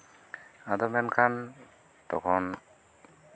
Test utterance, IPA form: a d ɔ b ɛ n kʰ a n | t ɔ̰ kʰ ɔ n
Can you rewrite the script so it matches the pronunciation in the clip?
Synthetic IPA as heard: a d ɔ m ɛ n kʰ a n | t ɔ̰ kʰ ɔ n